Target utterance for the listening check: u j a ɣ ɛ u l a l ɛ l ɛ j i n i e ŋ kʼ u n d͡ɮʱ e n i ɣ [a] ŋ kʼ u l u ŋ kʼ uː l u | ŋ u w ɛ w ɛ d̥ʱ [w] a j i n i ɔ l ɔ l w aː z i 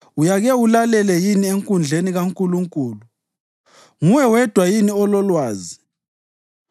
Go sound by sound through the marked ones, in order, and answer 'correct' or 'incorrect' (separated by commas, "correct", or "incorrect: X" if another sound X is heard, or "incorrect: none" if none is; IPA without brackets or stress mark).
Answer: correct, correct